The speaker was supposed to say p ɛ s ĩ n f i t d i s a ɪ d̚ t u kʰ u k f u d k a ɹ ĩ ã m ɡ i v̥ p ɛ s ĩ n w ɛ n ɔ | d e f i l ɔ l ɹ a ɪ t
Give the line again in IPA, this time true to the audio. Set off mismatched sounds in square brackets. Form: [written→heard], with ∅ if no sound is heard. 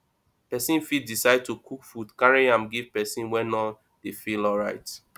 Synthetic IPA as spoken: p ɛ s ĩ n f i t d i s a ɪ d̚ t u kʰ u k f u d k a ɹ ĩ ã m ɡ i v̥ p ɛ s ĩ n w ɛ n ɔ | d e f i l ɔ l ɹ a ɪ t

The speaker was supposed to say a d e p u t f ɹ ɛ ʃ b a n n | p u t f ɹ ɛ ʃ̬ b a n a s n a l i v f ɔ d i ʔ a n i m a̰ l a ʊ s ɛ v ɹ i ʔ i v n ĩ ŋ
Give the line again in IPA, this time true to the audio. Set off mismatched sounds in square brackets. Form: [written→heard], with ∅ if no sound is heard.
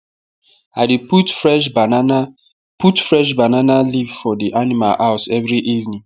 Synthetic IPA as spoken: a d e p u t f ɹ ɛ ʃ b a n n | p u t f ɹ ɛ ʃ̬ b a n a [s→∅] n a l i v f ɔ d i ʔ a n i m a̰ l a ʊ s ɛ v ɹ i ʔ i v n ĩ ŋ

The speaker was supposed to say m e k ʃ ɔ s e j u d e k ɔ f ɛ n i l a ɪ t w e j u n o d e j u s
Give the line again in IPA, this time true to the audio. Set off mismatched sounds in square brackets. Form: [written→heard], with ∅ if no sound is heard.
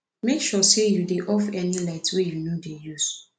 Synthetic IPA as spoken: m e k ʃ ɔ s e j u d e [k→ʔ] ɔ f ɛ n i l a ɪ t w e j u n o d e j u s

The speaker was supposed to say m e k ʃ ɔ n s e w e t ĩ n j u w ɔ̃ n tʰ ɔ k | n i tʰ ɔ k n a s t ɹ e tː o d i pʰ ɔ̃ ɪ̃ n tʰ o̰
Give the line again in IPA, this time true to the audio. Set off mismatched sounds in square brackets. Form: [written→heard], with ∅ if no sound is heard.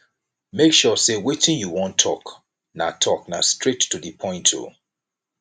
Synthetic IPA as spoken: m e k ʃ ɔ [n→∅] s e w e t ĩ n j u w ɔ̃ n tʰ ɔ k | n [i→a] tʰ ɔ k n a s t ɹ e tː [o→u] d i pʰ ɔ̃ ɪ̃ n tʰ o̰

